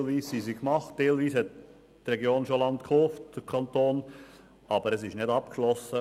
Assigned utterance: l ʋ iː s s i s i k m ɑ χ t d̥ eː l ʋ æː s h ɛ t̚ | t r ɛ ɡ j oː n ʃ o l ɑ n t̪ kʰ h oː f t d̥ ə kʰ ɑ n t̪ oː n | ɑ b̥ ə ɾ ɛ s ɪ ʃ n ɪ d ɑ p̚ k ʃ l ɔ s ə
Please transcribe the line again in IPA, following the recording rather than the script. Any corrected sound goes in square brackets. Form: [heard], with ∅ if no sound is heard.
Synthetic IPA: l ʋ iː s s i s i k m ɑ χ t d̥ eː l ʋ [iː] s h ɛ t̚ | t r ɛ ɡ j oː n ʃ o l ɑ n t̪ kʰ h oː f t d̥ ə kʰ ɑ n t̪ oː n | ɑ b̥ ə ɾ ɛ s ɪ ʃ n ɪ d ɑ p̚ k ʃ l ɔ s ə